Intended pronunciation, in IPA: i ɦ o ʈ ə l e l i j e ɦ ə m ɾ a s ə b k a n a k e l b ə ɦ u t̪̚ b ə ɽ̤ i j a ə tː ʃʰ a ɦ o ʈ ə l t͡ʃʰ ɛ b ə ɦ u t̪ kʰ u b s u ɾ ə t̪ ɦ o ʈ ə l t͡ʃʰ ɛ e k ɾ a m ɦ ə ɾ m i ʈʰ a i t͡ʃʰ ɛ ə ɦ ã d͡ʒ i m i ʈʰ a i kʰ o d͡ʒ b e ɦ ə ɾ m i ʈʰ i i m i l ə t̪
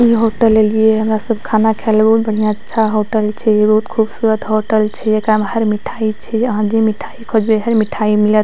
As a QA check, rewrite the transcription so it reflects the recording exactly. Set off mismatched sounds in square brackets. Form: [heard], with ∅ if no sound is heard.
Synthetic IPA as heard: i ɦ o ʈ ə l e l i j e ɦ ə m ɾ a s ə b [kʰ] a n a [kʰ] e l b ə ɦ u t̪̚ b ə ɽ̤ i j a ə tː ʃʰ a ɦ o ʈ ə l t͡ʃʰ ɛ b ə ɦ u t̪ kʰ u b s u ɾ ə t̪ ɦ o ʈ ə l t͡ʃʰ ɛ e k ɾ a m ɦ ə ɾ m i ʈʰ a i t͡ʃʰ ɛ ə ɦ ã d͡ʒ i m i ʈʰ a i kʰ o d͡ʒ b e ɦ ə ɾ m i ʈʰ [a] i m i l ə t̪